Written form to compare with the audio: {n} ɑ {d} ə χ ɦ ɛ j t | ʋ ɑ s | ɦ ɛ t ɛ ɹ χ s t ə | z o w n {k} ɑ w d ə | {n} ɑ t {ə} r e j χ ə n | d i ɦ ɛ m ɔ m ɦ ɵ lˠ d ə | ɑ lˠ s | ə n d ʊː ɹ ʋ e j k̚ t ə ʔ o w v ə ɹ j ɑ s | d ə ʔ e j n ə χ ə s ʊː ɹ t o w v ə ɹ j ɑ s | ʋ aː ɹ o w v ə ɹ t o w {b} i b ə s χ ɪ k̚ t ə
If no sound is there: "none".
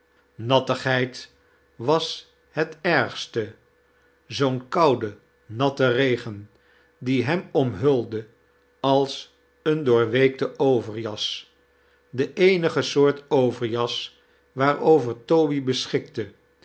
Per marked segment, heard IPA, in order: n, t, k, n, ə, b

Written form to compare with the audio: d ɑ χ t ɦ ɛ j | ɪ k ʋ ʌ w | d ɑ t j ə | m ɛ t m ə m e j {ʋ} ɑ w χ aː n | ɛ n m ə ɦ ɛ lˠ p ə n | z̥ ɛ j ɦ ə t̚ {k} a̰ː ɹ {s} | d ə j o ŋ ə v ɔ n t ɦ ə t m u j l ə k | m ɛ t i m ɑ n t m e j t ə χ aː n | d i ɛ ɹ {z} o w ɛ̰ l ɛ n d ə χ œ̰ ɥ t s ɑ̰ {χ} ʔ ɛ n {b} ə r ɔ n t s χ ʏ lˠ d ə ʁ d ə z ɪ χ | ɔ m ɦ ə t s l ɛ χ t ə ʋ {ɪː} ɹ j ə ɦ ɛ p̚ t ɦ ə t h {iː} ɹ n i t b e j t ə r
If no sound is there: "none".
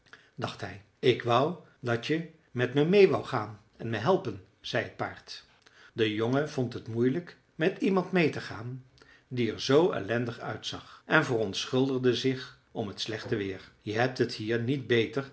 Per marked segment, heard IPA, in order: ʋ, p, t, z, χ, v, ɪː, iː

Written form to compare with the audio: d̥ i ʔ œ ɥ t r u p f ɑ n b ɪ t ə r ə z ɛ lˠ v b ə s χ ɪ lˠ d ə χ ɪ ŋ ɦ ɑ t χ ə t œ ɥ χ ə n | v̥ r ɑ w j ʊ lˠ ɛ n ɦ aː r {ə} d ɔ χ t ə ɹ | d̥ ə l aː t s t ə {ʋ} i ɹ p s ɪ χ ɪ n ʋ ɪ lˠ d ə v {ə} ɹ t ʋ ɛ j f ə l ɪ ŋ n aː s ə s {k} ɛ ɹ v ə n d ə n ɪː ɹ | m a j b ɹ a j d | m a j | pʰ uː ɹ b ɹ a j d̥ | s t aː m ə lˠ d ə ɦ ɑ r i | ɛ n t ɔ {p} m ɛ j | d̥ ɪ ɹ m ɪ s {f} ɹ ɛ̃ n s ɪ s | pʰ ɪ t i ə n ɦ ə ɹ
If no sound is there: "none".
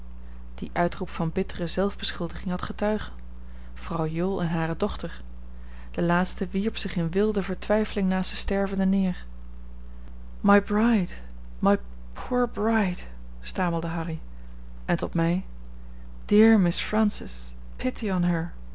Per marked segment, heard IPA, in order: ə, ʋ, ə, t, t, f

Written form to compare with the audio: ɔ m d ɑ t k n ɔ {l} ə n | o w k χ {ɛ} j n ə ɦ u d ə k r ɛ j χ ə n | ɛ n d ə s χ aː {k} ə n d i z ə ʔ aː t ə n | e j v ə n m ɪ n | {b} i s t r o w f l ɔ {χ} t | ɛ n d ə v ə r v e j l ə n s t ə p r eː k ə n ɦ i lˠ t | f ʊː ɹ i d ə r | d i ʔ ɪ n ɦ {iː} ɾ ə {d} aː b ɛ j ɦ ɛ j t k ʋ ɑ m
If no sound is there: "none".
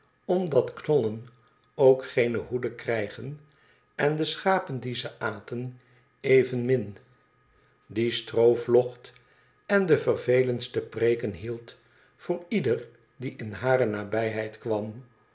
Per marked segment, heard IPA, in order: l, e, p, d, χ, aː, n

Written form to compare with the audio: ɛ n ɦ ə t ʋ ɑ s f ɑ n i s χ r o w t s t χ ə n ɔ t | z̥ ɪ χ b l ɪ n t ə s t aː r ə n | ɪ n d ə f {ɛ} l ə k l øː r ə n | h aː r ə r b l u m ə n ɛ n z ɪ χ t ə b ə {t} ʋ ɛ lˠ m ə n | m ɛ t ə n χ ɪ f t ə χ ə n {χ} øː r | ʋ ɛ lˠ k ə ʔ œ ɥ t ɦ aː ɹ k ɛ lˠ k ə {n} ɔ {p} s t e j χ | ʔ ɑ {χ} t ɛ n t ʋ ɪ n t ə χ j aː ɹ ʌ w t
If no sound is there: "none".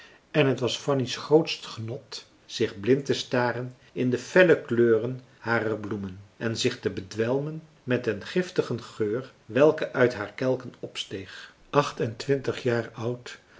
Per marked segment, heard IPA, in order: ɛ, d, χ, n, p, χ

